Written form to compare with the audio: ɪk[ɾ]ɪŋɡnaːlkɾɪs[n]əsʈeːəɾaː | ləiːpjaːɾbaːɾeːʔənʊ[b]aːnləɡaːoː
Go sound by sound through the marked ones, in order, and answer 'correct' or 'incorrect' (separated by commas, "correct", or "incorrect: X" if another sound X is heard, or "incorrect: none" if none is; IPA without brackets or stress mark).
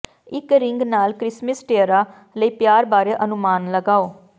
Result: correct, incorrect: m, incorrect: m